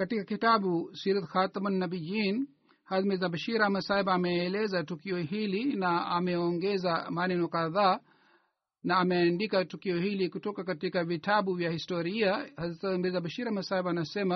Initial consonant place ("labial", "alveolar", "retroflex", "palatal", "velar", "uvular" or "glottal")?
velar